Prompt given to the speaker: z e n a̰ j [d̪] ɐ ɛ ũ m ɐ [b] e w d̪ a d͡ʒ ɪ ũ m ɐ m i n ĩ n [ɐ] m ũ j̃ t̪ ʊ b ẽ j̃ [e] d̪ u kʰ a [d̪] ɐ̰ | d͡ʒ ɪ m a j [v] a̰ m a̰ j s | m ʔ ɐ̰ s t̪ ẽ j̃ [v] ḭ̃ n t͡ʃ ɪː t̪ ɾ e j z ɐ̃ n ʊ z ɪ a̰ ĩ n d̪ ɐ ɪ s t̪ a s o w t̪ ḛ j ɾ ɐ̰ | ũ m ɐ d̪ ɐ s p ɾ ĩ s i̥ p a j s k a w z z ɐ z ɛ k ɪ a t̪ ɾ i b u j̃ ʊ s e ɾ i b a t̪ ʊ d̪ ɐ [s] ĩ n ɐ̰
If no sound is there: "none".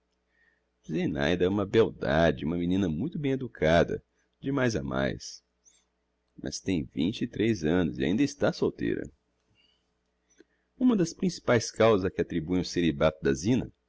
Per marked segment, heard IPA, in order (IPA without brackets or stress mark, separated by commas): d̪, b, ɐ, e, d̪, z, v, z